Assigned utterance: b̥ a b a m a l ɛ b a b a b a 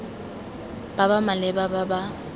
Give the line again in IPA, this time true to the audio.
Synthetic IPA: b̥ a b a m a l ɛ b a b a b a